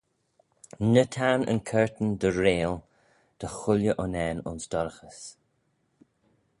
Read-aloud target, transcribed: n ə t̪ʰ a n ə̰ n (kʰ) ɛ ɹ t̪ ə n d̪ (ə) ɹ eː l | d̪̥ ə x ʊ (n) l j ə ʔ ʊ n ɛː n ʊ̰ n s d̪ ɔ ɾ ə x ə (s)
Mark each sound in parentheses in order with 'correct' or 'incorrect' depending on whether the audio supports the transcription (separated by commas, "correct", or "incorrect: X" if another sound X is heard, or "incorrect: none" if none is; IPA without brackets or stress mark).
correct, correct, incorrect: none, correct